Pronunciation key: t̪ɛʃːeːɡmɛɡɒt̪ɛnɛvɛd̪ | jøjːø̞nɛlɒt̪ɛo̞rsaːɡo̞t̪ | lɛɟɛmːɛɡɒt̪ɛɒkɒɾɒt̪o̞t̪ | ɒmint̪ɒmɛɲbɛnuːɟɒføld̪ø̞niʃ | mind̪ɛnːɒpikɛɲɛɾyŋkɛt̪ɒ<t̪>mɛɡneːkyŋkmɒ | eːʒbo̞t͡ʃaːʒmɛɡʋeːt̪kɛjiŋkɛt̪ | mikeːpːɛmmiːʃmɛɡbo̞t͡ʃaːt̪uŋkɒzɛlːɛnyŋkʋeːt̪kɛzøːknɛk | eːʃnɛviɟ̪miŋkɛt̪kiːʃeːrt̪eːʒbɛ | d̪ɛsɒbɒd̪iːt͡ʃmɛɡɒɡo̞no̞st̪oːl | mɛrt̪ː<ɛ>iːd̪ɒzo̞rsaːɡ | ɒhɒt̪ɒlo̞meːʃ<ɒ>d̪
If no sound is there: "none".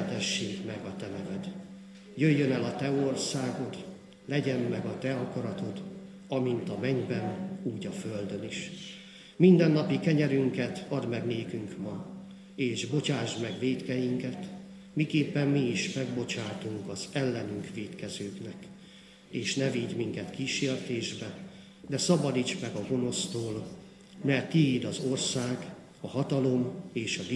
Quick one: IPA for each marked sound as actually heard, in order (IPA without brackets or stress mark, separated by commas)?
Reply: d̪, i, ɒ